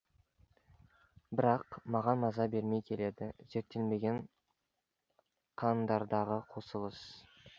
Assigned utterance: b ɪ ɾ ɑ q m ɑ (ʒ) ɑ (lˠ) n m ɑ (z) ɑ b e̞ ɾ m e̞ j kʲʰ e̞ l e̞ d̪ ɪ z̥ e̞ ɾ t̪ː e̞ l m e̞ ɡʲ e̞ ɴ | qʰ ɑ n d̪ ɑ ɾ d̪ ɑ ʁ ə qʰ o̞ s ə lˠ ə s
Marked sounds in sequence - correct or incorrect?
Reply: incorrect: ʁ, incorrect: none, correct

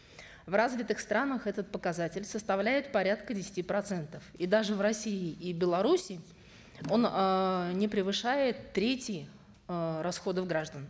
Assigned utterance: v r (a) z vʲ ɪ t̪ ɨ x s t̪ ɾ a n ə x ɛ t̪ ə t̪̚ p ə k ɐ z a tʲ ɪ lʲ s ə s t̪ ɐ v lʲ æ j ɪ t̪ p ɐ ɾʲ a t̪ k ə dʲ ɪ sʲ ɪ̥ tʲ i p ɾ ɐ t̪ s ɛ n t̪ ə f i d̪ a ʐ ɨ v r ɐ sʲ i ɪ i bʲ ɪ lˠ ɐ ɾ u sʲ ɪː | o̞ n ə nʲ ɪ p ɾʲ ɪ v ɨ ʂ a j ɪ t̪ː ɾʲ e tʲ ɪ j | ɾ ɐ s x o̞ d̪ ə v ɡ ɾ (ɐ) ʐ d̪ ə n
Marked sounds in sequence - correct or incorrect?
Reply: correct, incorrect: a

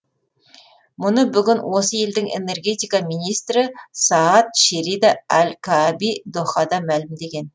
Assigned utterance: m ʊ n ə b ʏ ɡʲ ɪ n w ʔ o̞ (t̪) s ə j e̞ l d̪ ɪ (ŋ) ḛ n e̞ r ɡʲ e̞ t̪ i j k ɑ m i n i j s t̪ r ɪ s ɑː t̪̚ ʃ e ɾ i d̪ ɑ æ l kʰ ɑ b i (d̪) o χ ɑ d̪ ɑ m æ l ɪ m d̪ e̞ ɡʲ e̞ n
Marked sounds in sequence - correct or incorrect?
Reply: incorrect: none, correct, correct

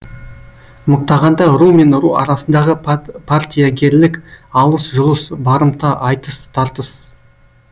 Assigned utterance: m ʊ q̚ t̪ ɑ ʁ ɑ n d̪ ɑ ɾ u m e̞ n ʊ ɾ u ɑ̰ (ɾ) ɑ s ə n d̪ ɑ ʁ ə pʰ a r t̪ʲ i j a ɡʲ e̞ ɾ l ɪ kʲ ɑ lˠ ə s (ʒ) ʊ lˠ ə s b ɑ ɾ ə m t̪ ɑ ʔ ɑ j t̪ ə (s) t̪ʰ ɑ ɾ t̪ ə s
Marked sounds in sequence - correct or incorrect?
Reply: correct, correct, correct

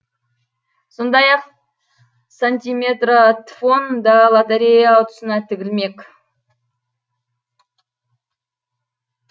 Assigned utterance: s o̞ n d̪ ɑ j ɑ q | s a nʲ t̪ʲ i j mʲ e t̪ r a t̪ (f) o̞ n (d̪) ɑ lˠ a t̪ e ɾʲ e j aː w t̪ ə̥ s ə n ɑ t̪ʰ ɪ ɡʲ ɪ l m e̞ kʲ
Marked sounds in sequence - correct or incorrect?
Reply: correct, correct

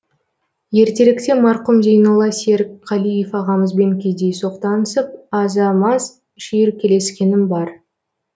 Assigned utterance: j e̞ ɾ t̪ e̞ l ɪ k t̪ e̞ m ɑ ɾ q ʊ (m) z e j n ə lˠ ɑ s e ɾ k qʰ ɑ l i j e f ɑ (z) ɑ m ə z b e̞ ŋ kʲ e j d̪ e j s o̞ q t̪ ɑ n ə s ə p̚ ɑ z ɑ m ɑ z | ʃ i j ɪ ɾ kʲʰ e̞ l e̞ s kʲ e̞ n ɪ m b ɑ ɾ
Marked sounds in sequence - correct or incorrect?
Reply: correct, incorrect: ʁ

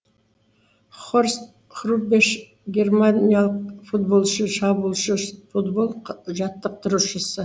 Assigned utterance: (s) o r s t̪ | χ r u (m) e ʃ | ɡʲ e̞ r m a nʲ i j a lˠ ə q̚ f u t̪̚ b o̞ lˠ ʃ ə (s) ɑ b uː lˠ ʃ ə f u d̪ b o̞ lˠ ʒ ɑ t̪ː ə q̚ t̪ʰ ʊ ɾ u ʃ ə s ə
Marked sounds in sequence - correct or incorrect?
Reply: incorrect: χ, incorrect: b, incorrect: ʃ

